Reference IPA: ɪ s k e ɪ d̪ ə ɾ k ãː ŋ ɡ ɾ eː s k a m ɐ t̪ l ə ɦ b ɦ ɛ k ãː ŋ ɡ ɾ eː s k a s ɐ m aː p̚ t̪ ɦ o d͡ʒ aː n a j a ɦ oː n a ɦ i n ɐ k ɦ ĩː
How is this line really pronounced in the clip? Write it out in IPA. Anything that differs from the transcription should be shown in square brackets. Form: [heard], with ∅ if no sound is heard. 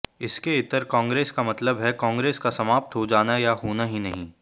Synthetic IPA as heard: ɪ s k e ɪ [t̪] ə ɾ k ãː ŋ ɡ ɾ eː s k a m ɐ t̪ l ə [∅] b ɦ ɛ k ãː ŋ ɡ ɾ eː s k a s ɐ m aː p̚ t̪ ɦ o d͡ʒ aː n a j a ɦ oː n a ɦ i n ɐ [∅] ɦ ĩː